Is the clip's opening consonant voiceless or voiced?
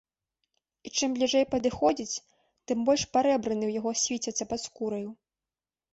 voiceless